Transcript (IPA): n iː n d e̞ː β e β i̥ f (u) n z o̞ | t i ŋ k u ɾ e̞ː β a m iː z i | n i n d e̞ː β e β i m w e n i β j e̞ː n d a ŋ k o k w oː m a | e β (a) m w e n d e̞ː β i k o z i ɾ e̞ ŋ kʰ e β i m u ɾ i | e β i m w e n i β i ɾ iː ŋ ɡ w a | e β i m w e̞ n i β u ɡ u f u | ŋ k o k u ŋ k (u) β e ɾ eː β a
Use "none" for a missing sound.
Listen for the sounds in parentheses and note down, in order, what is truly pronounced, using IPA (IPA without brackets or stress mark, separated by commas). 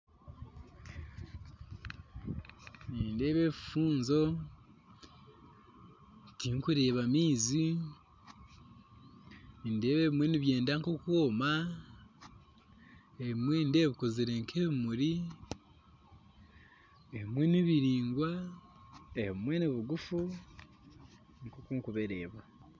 uː, i, u